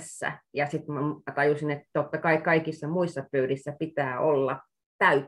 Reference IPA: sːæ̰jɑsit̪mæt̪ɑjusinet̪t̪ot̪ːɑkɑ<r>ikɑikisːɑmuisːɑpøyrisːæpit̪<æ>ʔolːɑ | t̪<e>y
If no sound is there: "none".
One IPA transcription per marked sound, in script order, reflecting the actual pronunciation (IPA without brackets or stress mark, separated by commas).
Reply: none, æː, æ